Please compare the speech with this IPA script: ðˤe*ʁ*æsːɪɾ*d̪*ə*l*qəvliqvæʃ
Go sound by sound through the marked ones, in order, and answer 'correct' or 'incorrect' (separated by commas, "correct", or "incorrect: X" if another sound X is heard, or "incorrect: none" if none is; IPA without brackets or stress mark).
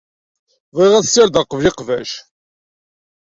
correct, correct, incorrect: none